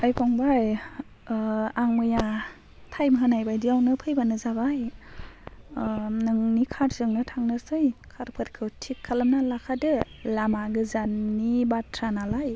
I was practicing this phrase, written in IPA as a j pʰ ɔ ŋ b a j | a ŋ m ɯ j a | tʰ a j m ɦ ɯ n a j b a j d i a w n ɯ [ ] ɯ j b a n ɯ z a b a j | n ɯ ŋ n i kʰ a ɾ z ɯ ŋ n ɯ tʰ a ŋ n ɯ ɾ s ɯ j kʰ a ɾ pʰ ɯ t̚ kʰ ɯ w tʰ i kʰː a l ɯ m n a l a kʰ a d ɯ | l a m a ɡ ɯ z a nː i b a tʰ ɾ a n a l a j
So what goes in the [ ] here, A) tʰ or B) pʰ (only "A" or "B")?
B